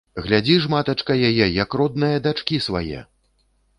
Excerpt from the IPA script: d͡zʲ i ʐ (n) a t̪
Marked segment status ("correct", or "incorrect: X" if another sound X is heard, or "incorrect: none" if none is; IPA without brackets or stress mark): incorrect: m